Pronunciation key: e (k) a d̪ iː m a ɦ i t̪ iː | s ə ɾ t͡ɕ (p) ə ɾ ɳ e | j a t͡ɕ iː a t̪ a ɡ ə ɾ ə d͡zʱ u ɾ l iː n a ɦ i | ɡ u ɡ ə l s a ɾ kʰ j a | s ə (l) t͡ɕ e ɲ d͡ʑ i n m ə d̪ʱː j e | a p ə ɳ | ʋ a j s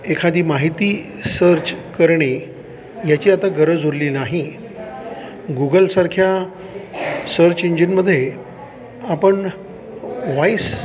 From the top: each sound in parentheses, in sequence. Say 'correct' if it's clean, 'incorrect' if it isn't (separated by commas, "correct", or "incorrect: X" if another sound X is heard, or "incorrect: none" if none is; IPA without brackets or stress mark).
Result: incorrect: kʰ, incorrect: k, incorrect: ɾ